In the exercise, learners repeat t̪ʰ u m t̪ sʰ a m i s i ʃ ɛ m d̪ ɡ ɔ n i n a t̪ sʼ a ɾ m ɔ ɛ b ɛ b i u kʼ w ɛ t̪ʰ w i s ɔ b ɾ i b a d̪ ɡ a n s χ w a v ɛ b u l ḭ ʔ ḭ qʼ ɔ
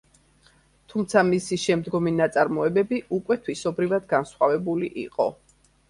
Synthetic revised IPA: t̪ʰ u m t̪ sʰ a m i s i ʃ ɛ m d̪ ɡ ɔ m i n a t̪ sʼ a ɾ m ɔ ɛ b ɛ b i u kʼ w ɛ t̪ʰ w i s ɔ b ɾ i v a d̪ ɡ a n s χ w a v ɛ b u l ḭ ʔ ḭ qʼ ɔ